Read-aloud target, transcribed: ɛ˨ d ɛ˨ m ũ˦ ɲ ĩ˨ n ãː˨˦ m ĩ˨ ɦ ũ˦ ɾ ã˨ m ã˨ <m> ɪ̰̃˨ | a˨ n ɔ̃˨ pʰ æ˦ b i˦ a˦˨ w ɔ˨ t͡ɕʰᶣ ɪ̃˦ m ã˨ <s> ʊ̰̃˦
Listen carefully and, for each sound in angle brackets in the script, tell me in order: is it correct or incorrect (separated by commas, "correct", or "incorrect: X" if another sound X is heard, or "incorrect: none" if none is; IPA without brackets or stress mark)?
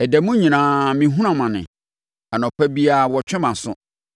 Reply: incorrect: n, correct